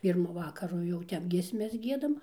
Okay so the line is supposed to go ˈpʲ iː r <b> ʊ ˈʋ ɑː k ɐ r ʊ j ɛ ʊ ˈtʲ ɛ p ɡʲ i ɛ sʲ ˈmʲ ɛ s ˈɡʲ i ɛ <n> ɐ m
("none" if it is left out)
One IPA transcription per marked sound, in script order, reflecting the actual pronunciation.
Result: m, d

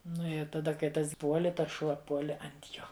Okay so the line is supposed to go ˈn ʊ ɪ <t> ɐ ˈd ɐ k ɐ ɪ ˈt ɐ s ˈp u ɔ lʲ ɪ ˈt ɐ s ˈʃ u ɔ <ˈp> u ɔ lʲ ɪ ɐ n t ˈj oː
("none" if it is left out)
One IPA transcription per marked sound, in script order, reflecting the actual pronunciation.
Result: t, p

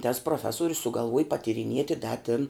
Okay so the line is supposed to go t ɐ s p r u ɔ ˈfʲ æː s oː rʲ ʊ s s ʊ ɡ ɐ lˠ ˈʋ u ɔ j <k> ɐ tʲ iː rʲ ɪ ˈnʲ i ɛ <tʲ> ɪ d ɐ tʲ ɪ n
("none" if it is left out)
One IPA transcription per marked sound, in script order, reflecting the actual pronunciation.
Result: p, tʲ

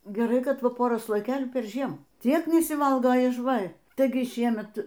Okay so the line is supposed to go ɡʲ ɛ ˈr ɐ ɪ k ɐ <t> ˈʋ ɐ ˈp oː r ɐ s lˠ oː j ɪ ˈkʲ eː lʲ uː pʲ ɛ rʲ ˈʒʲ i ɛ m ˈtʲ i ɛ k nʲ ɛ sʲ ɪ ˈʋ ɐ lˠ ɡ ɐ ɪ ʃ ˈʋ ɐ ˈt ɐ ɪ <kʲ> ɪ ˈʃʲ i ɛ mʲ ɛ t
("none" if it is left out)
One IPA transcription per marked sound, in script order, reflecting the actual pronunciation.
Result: t, ɡʲ

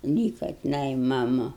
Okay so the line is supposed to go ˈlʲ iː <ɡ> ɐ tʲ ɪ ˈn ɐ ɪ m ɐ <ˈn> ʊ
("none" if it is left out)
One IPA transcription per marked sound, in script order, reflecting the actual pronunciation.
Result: k, m

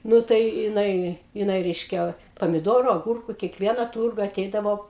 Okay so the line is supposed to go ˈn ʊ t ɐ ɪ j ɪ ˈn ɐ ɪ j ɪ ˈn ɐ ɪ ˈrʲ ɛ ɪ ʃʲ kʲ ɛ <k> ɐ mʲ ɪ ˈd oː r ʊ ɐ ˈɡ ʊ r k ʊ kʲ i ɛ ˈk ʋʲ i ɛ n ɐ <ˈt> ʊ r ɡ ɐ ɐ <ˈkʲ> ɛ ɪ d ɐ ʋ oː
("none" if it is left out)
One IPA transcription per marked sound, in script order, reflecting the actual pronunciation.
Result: p, t, tʲ

